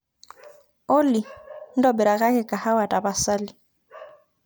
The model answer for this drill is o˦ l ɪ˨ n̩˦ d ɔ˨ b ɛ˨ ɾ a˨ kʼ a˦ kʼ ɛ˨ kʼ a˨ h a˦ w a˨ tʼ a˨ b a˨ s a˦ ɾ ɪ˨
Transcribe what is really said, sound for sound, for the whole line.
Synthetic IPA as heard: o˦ l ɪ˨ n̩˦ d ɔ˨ b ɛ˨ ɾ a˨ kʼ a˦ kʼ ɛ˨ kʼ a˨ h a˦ w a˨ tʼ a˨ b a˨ s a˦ l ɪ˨